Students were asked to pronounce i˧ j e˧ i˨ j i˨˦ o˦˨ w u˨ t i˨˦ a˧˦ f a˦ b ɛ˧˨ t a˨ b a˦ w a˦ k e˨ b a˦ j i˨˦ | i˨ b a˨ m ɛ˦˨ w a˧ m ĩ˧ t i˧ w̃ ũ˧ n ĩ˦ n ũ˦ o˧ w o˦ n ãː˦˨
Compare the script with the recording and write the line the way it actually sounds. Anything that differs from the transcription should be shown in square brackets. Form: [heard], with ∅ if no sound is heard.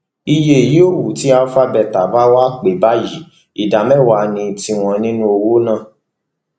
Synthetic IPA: i˧ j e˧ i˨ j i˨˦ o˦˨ w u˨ t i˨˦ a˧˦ f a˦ b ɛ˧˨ t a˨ b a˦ w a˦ [k͡p] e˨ b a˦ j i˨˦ | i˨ [d] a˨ m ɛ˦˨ w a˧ [n] ĩ˧ t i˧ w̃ [ɔ̃˧] n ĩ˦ n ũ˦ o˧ w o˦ n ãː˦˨